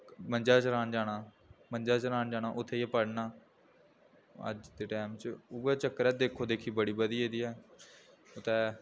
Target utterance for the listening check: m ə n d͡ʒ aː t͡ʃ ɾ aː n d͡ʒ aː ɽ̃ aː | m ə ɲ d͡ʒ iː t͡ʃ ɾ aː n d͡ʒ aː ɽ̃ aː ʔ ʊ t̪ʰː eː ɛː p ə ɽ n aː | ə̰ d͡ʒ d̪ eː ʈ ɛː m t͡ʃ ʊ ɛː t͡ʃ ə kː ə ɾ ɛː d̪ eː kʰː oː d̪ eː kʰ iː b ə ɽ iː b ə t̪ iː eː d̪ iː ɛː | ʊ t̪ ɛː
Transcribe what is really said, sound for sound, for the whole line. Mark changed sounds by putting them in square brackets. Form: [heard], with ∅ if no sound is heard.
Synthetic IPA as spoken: m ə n d͡ʒ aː t͡ʃ ɾ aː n d͡ʒ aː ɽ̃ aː | m ə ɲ d͡ʒ [aː] t͡ʃ ɾ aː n d͡ʒ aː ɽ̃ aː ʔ ʊ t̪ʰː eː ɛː p ə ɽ n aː | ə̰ d͡ʒ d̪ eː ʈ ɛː m t͡ʃ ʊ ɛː t͡ʃ ə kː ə ɾ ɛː d̪ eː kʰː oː d̪ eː kʰ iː b ə ɽ iː b ə [d̪] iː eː d̪ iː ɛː | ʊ t̪ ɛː

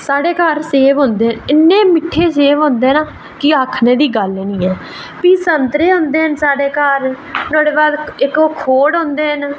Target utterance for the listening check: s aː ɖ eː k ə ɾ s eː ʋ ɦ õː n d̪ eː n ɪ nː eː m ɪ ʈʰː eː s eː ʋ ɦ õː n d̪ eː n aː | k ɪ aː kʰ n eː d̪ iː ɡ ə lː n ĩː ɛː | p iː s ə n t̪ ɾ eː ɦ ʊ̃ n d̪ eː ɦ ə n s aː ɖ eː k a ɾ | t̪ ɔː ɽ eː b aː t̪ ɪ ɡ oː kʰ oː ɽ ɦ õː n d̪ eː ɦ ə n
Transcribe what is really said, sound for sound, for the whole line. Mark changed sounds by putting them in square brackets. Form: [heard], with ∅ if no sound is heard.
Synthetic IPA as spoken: s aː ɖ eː k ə ɾ s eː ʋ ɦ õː n d̪ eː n ɪ nː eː m ɪ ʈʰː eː s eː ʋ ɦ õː n d̪ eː n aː | k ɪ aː kʰ n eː d̪ iː ɡ ə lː n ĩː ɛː | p iː s ə n t̪ ɾ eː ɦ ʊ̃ n d̪ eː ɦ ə n s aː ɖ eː k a ɾ | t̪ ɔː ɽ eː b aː [d̪] ɪ [k] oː kʰ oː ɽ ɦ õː n d̪ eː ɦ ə n

